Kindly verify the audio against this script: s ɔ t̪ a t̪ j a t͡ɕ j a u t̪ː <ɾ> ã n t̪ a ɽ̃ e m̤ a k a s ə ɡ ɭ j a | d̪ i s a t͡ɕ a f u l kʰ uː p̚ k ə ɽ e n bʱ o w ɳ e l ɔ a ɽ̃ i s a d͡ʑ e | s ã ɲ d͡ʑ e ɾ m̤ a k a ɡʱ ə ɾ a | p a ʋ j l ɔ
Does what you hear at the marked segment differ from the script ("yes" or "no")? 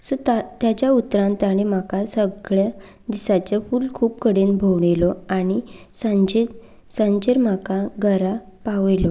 no